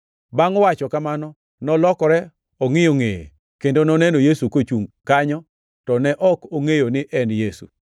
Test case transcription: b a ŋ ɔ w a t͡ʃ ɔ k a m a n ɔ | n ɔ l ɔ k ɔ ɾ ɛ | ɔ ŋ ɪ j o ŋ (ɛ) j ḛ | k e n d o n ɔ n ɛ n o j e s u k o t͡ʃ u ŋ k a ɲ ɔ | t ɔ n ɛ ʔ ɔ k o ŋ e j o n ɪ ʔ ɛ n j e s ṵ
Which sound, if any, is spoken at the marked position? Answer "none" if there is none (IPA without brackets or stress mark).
e